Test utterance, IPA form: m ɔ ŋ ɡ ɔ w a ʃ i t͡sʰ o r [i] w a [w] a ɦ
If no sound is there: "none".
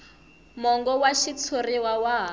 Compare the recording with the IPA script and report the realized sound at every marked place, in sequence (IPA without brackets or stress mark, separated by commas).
i, w